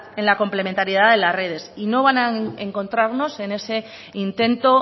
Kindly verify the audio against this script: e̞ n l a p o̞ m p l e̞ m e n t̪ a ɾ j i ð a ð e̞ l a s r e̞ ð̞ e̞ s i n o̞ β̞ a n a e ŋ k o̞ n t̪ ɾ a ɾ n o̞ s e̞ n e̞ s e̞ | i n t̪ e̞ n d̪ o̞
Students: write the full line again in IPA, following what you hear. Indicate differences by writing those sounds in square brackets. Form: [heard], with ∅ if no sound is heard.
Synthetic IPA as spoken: e̞ n l a [k] o̞ m p l e̞ m e n t̪ a ɾ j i ð a ð e̞ l a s r e̞ ð̞ e̞ s i n o̞ β̞ a n a e ŋ k o̞ n t̪ ɾ a ɾ n o̞ s e̞ n e̞ s e̞ | i n t̪ e̞ n [t̪] o̞